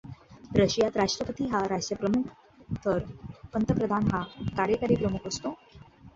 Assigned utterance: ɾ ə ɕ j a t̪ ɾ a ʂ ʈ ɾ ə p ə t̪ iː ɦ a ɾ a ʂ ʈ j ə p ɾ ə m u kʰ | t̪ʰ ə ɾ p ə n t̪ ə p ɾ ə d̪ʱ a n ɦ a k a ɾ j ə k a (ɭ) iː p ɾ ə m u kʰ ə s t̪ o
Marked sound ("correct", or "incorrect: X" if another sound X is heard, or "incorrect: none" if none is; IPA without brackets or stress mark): incorrect: ɾ